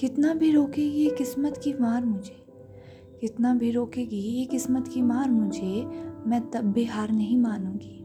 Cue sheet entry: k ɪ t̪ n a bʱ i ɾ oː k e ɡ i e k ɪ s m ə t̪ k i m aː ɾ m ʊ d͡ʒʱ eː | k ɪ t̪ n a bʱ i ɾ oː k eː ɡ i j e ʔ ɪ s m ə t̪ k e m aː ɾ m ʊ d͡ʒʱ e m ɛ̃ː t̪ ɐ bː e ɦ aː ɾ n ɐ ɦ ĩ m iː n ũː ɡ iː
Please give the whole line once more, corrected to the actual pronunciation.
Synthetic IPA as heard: k ɪ t̪ n a bʱ i ɾ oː k e ɡ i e k ɪ s m ə t̪ k i m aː ɾ m ʊ d͡ʒʱ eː | k ɪ t̪ n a bʱ i ɾ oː k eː ɡ i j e k ɪ s m ə t̪ k i m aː ɾ m ʊ d͡ʒʱ e m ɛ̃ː t̪ ɐ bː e ɦ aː ɾ n ɐ ɦ ĩ m aː n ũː ɡ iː